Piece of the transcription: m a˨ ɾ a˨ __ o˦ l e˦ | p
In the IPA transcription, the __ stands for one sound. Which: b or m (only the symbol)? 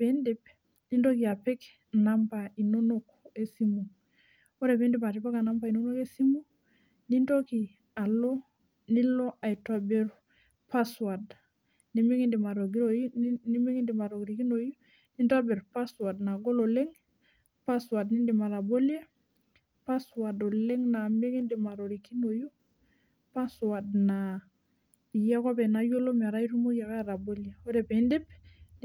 b